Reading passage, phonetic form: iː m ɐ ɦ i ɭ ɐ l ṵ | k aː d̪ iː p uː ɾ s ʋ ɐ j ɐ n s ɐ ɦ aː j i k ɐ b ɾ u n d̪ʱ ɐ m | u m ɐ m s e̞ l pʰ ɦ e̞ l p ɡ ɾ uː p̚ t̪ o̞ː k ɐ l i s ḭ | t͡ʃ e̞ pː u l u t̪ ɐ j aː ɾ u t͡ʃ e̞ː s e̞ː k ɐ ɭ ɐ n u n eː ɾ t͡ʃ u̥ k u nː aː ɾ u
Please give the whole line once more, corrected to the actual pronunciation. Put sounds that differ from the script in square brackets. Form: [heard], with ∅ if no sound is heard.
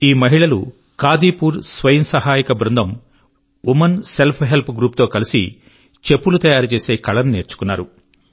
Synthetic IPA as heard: iː m ɐ ɦ i ɭ ɐ l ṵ | k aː d̪ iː p uː ɾ s ʋ ɐ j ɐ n s ɐ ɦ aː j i k ɐ b ɾ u n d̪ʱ ɐ m | u m ɐ [n] s e̞ l pʰ ɦ e̞ l p ɡ ɾ uː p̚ t̪ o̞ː k ɐ l i s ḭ | t͡ʃ e̞ pː u l u t̪ ɐ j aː ɾ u t͡ʃ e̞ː s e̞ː k ɐ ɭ ɐ n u n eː ɾ t͡ʃ u̥ k u nː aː ɾ u